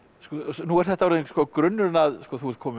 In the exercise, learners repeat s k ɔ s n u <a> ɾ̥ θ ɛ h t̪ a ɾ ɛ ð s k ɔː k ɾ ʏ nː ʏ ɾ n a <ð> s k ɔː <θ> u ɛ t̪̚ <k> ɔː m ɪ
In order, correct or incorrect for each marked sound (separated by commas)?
incorrect, correct, correct, incorrect